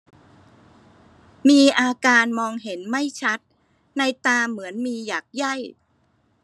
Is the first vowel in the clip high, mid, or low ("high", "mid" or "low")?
high